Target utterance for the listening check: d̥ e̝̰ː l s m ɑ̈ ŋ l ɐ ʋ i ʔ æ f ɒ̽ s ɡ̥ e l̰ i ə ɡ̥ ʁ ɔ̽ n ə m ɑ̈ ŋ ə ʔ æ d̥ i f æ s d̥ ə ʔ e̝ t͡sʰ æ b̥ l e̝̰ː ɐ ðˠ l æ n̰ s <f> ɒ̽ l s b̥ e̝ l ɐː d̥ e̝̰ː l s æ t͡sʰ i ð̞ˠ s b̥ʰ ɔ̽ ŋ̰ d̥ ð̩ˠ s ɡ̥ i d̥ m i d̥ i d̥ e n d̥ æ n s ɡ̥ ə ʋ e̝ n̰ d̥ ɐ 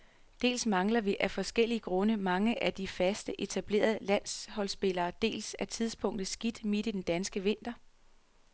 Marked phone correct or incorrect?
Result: incorrect